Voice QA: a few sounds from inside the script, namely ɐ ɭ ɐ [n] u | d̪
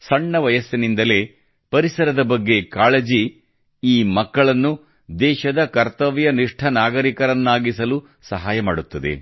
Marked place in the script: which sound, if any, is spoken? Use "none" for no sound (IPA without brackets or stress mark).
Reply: nː